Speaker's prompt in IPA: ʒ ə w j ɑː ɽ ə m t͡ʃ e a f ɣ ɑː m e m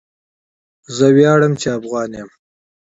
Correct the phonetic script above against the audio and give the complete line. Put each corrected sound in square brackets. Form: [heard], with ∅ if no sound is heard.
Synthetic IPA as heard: [z] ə w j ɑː ɽ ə m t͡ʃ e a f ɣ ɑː [n] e m

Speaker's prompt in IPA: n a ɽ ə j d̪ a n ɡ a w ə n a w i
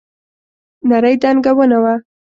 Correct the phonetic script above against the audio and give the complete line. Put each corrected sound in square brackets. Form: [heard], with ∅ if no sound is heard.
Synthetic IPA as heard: n a [ɾ] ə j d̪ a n ɡ a w ə n a w [a]

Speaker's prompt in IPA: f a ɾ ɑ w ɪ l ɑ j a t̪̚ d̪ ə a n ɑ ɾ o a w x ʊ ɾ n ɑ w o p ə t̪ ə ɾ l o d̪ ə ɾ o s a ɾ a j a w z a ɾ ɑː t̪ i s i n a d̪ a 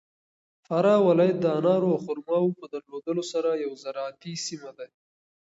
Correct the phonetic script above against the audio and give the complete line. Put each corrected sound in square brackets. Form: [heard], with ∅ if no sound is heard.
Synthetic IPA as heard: f a ɾ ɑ w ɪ l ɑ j a t̪̚ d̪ ə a n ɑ ɾ o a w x ʊ ɾ [m] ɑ w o p ə [d̪] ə ɾ l o d̪ ə [l] o s a ɾ a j a w z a ɾ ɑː t̪ i s i [m] a d̪ a

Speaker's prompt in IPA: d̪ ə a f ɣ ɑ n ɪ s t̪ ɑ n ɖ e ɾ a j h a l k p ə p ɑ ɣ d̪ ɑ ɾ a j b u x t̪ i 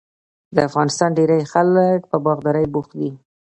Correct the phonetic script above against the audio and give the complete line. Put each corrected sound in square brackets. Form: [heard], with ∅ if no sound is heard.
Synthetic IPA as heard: d̪ ə a f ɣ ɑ n ɪ s t̪ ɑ n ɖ e ɾ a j [x] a l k p ə [b] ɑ ɣ d̪ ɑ ɾ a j b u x [d̪] i

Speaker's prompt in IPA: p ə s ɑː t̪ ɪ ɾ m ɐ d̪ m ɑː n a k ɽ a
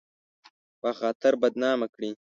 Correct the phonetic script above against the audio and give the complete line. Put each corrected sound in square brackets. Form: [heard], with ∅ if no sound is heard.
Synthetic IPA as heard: p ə [x] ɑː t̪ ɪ ɾ [b] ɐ d̪ [n] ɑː [m] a k ɽ [i]

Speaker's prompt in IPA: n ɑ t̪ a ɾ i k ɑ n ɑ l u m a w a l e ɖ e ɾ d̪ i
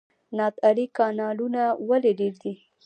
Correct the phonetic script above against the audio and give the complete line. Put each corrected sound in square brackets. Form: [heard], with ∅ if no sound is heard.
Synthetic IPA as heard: n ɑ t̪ a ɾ i k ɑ n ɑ l u [n] a w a l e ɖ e ɾ d̪ i

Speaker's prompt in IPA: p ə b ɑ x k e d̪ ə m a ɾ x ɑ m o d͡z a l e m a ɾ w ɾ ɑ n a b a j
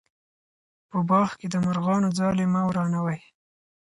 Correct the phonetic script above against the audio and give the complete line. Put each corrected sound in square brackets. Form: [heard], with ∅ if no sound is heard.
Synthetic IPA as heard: p ə b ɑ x k e d̪ ə m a ɾ [ɣ] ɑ [n] o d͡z [ɑ] l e m a [∅] w ɾ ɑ n a [w] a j

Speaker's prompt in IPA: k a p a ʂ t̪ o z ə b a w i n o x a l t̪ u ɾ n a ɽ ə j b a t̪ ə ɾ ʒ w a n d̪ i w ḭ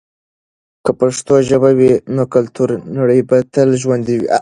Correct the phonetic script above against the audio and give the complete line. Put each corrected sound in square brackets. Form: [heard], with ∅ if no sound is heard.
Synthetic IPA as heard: k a p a ʂ t̪ o [ʒ] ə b a w i n o [k] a l t̪ u ɾ n a ɽ ə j b a t̪ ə [l] ʒ w a n d̪ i w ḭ

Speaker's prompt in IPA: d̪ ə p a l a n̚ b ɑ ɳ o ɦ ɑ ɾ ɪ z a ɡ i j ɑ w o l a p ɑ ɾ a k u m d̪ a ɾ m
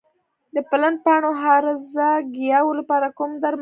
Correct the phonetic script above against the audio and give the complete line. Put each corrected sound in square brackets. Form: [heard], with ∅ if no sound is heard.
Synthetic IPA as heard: d̪ ə p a l a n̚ [p] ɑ ɳ o ɦ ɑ ɾ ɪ z a ɡ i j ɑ w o l a p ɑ ɾ a k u m d̪ a ɾ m

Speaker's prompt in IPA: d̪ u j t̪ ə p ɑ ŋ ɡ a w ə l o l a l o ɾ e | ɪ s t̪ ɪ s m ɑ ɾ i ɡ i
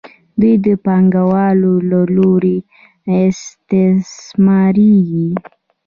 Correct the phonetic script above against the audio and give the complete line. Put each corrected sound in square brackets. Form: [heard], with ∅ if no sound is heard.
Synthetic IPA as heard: d̪ u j [d̪] ə p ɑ ŋ ɡ a w [ɑ] l o l a l o ɾ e | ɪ s t̪ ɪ s m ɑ ɾ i ɡ i

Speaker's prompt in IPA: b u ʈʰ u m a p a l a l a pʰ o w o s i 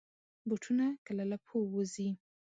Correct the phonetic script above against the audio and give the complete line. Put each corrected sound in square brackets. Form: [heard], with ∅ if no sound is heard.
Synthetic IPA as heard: b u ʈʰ u [n] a [k] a l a l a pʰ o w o [z] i

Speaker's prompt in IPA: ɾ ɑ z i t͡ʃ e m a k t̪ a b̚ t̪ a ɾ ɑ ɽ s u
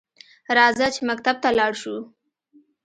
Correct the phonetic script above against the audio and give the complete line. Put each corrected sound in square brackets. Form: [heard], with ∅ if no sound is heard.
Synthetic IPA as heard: ɾ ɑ z [a] t͡ʃ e m a k t̪ a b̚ t̪ a [l] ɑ ɽ [ʃ] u

